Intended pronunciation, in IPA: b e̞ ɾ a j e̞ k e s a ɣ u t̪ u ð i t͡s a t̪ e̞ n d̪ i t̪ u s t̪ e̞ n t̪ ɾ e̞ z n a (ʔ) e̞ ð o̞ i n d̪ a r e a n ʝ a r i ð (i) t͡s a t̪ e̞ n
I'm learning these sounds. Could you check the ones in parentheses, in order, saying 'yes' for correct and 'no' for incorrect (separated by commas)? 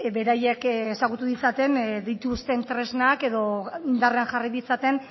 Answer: no, yes